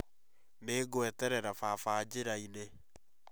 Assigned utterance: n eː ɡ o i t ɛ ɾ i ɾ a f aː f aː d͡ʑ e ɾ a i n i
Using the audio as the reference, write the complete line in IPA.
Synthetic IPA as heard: n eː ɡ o ɛ t ɛ ɾ ɛ ɾ a f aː f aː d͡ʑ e ɾ a i n e